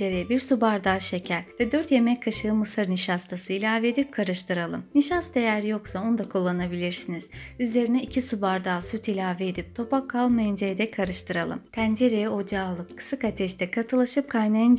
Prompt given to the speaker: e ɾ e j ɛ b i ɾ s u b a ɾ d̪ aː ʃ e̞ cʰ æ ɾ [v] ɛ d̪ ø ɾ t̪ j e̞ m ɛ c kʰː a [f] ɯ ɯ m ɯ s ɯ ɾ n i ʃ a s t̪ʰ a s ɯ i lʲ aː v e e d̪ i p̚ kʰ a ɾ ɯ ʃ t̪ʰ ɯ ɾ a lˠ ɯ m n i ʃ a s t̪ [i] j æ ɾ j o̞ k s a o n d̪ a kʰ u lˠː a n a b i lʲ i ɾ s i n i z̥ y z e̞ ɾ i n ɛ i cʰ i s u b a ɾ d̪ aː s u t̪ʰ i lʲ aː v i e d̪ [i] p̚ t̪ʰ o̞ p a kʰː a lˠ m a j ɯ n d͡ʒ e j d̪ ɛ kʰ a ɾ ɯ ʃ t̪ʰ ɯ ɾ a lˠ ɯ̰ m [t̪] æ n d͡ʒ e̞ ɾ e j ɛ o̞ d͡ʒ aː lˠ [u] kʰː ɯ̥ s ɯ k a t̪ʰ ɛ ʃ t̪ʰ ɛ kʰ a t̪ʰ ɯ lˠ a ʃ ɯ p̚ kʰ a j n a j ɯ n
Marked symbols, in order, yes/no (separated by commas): yes, no, no, yes, no, no